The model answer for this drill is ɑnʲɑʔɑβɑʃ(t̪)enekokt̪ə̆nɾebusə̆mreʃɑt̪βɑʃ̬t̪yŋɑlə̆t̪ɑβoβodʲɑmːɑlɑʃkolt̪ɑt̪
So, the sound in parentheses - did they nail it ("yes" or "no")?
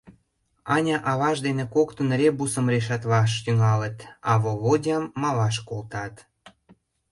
no